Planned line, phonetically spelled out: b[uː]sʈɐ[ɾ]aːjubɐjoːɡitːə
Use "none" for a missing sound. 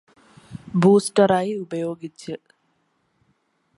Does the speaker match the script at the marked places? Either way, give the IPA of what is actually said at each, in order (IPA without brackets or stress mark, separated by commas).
uː, ɾ